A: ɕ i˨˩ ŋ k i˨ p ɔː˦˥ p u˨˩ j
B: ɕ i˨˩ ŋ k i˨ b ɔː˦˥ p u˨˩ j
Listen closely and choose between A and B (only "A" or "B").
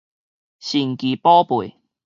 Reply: A